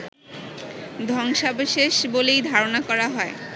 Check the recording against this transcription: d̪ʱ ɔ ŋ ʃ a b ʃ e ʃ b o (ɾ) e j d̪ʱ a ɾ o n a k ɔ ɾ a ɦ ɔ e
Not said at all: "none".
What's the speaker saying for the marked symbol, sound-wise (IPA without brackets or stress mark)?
l